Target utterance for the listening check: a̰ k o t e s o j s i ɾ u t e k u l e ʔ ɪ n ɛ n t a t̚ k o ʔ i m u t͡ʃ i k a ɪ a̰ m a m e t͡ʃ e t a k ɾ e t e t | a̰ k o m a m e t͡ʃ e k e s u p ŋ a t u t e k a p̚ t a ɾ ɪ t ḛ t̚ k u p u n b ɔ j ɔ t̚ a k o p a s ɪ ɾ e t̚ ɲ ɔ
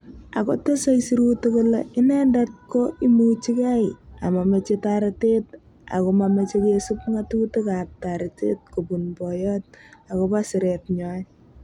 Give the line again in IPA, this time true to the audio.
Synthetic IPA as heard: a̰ k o t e s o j s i ɾ u t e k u l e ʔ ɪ n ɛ n d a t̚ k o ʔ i m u t͡ʃ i k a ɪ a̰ m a m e t͡ʃ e t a ɾ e t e t | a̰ k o m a m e t͡ʃ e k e s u p ŋ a t u t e k a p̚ t a ɾ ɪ t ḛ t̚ k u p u n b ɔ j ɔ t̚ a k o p a s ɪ ɾ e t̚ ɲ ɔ